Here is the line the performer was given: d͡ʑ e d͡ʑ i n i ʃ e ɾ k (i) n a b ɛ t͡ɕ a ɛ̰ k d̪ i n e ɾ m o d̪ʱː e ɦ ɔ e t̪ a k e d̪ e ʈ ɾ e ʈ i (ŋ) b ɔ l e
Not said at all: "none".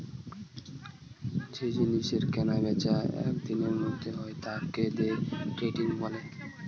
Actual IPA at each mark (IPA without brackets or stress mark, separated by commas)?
ɛ, ŋ